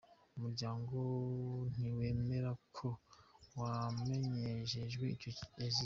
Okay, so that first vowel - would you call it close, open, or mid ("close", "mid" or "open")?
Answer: close